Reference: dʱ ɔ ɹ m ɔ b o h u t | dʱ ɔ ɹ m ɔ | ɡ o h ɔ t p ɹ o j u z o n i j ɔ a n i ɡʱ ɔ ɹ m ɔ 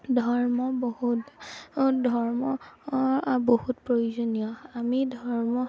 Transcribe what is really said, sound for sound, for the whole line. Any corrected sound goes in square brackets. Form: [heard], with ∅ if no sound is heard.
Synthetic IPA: dʱ ɔ ɹ m ɔ b o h u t | dʱ ɔ ɹ m ɔ | [b] o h [u] t p ɹ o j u z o n i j ɔ a [m] i [dʱ] ɔ ɹ m ɔ